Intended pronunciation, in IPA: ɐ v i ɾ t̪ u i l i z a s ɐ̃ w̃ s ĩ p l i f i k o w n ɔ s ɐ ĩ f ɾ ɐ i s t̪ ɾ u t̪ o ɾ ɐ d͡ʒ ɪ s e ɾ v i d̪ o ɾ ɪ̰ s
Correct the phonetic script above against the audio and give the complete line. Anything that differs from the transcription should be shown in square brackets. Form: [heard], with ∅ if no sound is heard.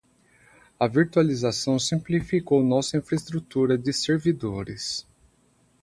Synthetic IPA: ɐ v i ɾ t̪ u [a] l i z a s ɐ̃ w̃ s ĩ p l i f i k o w n ɔ s ɐ ĩ f ɾ ɐ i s t̪ ɾ u t̪ [u] ɾ ɐ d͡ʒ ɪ s e ɾ v i d̪ o ɾ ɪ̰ s